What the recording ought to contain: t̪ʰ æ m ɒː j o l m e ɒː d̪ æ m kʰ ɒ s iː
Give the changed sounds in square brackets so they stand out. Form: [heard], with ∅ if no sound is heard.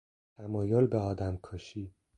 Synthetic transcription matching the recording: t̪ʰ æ m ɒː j o l [b] e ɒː d̪ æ m kʰ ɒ [ʃ] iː